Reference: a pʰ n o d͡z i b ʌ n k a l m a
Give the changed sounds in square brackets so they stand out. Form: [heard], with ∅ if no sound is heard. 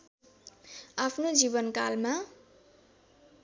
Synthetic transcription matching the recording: a pʰ n o d͡z i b ʌ n k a l m a